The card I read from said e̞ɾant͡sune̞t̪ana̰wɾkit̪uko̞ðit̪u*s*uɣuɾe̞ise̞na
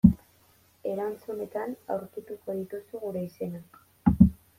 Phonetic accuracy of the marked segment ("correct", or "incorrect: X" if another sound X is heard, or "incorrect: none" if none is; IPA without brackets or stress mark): correct